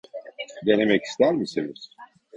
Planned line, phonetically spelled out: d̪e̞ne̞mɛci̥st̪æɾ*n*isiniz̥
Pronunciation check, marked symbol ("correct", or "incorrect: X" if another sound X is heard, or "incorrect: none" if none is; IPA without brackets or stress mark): incorrect: m